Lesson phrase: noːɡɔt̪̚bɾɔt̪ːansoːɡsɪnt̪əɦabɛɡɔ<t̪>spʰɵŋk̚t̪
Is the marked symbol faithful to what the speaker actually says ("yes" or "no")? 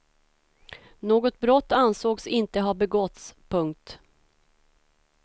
yes